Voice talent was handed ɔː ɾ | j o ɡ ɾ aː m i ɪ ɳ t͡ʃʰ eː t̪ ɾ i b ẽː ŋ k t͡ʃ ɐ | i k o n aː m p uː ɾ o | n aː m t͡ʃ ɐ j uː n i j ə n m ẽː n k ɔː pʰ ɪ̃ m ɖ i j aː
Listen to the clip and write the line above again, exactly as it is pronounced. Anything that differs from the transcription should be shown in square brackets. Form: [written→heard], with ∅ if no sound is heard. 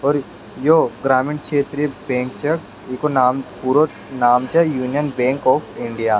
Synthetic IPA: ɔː ɾ | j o ɡ ɾ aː m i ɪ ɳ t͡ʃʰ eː t̪ ɾ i b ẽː ŋ k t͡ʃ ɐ | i k o n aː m p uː ɾ o | n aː m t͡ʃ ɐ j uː n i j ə n [m→b] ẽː [n→ŋ] k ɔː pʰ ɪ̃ [m→ɳ] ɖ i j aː